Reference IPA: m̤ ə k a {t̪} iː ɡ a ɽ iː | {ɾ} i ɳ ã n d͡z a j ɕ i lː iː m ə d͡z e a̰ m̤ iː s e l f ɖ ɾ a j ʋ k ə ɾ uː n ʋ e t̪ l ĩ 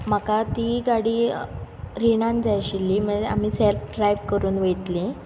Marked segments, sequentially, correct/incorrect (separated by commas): correct, correct